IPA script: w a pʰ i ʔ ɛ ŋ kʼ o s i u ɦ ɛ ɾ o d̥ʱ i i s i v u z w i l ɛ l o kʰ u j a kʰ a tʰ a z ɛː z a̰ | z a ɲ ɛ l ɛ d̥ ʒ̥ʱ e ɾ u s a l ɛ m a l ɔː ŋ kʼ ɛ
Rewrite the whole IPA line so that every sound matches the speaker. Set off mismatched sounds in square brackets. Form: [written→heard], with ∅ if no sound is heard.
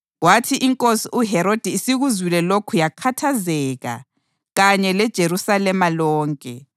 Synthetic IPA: w a [pʰ→tʰ] i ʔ [ɛ→i] ŋ kʼ o s i u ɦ ɛ ɾ o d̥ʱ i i s i [v→ɣ] u z w i l ɛ l o kʰ u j a kʰ a tʰ a z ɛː [z→ɣ] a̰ | [z→ɣ] a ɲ ɛ l ɛ d̥ ʒ̥ʱ e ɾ u s a l ɛ m a l ɔː ŋ kʼ ɛ